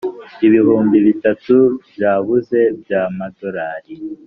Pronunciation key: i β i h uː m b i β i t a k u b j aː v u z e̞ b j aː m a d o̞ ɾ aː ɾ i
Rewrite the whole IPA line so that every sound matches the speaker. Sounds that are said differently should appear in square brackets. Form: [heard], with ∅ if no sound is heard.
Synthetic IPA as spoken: i β i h uː m b i β i t a [t] u b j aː [β] u z e̞ b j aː m a d o̞ ɾ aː ɾ i